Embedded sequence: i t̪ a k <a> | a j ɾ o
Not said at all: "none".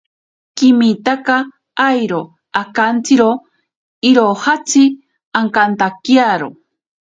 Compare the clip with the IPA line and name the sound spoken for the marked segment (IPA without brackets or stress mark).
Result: a